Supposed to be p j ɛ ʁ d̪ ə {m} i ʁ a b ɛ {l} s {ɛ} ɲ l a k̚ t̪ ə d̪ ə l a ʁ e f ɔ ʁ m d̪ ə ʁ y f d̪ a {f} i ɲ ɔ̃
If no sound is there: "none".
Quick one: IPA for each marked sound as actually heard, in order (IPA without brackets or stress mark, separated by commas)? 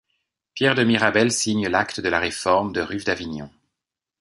m, l, i, v